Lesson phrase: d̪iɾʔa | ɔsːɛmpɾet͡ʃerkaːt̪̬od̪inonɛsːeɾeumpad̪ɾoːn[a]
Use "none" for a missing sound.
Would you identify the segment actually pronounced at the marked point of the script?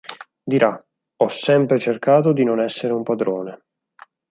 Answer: e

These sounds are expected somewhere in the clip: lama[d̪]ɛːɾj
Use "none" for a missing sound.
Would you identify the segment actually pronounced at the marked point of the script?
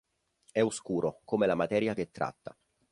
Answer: t̪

